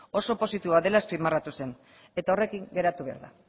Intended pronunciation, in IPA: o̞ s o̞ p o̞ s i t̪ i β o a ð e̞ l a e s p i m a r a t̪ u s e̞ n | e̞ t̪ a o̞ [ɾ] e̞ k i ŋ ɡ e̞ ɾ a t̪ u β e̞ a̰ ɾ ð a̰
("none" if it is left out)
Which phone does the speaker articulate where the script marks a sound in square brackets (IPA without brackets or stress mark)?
r